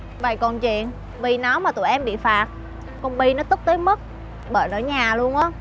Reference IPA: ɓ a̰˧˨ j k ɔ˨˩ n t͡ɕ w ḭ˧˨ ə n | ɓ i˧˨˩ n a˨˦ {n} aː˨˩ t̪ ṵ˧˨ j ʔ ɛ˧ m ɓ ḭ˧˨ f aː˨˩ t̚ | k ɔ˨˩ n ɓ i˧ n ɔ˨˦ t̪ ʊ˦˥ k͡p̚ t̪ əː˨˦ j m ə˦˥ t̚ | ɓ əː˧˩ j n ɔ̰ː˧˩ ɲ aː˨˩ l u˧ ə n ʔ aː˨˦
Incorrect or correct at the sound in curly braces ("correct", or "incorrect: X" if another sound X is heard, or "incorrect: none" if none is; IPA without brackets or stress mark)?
incorrect: m